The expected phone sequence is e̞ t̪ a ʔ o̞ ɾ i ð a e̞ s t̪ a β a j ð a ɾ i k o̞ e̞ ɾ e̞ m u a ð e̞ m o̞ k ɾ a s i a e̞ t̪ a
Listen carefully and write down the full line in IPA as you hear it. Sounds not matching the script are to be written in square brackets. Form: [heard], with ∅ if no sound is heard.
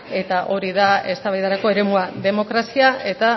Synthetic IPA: e̞ t̪ a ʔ o̞ ɾ i ð a e̞ s t̪ a β a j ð a ɾ [a] k o̞ e̞ ɾ e̞ m u a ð e̞ m o̞ k ɾ a s i a e̞ t̪ a